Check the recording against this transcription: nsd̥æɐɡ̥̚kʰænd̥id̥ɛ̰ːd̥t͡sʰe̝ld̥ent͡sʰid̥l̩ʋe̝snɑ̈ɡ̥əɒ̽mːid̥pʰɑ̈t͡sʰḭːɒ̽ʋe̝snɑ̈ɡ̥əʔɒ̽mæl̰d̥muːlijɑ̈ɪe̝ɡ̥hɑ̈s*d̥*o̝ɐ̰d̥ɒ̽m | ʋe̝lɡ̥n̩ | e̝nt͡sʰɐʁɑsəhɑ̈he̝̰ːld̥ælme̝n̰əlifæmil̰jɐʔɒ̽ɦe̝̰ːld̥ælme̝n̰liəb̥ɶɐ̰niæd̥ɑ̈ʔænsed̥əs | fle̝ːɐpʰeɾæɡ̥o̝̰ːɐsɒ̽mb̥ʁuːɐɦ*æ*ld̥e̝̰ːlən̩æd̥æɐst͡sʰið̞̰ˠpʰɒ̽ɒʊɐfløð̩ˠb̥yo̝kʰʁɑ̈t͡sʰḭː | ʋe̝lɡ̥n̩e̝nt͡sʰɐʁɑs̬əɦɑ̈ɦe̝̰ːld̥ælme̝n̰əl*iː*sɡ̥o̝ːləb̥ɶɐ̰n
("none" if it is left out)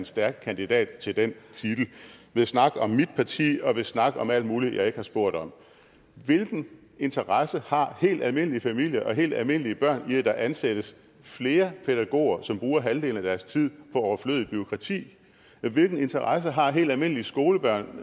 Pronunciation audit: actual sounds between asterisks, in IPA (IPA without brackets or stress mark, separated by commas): b̥, æ, i